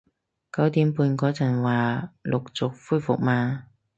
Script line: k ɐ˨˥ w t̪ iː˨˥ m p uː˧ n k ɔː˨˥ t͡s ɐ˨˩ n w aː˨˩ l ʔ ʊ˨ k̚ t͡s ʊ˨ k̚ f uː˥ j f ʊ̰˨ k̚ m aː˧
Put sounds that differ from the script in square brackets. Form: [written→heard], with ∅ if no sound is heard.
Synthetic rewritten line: k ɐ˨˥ w t̪ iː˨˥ m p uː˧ n k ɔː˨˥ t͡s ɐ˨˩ n w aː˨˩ l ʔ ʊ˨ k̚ t͡s ʊ˨ k̚ f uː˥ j f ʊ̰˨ k̚ m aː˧